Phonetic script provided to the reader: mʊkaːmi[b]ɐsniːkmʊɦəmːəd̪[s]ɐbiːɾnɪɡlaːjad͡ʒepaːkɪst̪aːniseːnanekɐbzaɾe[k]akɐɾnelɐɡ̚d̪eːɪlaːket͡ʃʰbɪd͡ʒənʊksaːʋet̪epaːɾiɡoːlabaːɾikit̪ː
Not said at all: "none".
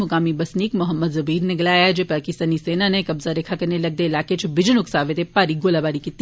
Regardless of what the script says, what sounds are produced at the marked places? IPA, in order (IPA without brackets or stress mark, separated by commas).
b, z, kʰ